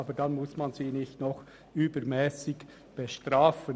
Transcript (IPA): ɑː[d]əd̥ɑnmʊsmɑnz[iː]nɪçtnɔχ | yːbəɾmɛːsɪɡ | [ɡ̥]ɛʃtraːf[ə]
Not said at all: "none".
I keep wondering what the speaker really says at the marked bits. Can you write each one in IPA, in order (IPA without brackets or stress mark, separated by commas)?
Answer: b, iː, b̥, ə